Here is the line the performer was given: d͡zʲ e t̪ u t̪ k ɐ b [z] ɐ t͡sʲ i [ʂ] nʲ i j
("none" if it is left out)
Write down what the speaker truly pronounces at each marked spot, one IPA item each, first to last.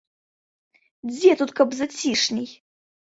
z, ʂ

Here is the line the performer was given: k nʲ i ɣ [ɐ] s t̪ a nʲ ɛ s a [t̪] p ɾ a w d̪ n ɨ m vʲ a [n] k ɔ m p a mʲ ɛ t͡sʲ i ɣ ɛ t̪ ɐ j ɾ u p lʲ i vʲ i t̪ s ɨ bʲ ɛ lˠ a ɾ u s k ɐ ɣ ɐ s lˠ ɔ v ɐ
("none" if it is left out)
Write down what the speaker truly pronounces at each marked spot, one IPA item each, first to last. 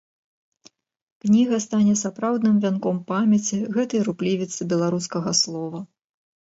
ɐ, none, n

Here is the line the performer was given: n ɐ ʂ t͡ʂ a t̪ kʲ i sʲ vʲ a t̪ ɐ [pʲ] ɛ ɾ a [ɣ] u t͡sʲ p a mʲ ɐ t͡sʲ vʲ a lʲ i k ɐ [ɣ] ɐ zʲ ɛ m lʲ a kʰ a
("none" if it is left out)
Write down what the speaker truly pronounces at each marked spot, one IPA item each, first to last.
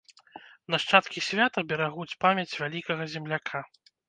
bʲ, ɣ, ɣ

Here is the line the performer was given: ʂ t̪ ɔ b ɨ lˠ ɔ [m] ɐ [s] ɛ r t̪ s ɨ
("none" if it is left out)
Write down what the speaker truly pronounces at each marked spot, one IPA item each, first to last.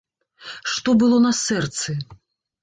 n, s

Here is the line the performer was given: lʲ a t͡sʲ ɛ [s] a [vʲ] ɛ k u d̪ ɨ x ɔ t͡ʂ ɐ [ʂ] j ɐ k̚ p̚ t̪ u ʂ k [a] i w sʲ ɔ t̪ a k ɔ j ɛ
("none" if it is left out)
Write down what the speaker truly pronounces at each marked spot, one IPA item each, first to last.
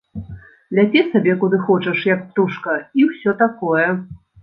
s, bʲ, ʂ, ɐ

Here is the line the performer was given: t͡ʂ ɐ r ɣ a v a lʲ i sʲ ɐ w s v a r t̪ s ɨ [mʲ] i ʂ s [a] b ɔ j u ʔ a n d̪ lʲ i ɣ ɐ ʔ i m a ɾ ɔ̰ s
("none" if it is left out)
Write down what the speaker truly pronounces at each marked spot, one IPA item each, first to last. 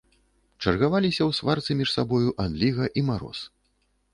mʲ, a

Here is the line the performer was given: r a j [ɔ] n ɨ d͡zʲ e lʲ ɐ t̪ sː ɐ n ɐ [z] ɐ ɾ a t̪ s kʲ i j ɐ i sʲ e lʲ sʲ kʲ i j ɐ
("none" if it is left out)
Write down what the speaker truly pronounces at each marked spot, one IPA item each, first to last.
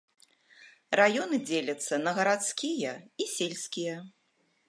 ɔ, ɣ

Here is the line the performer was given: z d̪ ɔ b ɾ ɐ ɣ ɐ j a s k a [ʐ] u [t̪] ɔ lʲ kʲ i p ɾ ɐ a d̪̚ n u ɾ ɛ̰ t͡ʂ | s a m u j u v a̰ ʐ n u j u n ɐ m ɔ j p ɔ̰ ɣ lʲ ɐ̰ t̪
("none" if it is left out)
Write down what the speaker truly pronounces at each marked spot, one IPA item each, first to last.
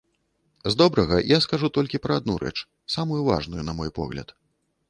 ʐ, t̪

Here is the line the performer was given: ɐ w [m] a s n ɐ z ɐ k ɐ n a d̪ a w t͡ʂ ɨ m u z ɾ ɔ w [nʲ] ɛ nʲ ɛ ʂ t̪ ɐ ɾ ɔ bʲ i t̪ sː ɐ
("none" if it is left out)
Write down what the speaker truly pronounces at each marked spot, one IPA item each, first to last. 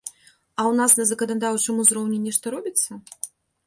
n, nʲ

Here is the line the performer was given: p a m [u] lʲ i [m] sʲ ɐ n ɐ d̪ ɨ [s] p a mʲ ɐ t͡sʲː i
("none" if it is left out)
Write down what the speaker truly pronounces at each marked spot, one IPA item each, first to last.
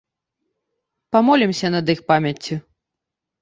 ɔ, m, x

